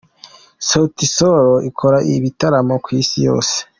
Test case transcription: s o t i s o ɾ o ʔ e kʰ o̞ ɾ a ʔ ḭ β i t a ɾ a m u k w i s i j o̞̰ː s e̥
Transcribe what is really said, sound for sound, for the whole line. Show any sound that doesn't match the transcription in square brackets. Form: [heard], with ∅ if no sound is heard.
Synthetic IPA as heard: s o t i s o ɾ o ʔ [i] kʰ o̞ ɾ a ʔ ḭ β i t a ɾ a m [o] k w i s i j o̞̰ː s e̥